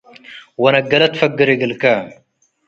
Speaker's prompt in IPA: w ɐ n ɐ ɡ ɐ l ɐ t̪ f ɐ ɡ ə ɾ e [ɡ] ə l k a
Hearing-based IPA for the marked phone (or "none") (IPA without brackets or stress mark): ɡ